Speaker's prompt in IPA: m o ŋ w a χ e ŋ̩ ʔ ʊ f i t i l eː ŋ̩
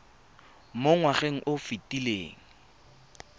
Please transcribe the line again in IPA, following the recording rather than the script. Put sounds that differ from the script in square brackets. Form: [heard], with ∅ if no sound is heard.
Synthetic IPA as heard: m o ŋ w a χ e ŋ̩ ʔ ʊ f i t i l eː ŋ̩